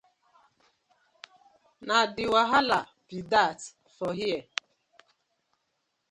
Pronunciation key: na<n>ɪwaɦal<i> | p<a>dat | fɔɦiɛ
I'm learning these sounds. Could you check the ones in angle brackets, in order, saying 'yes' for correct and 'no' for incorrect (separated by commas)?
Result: no, no, no